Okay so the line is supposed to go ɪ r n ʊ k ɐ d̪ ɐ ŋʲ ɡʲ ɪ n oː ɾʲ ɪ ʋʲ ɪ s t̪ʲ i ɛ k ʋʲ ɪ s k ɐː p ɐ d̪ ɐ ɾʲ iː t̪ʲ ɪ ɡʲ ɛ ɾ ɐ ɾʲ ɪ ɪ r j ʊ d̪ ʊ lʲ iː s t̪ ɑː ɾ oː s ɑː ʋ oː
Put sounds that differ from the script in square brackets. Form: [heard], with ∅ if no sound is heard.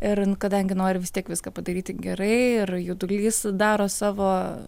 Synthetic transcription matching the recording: ɪ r n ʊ k ɐ d̪ ɐ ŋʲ ɡʲ ɪ n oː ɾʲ ɪ ʋʲ ɪ s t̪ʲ i ɛ k ʋʲ ɪ s k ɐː p ɐ d̪ ɐ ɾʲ iː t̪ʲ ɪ ɡʲ ɛ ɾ ɐ [∅] ɪ ɪ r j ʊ d̪ ʊ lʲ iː s [d̪] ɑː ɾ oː s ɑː ʋ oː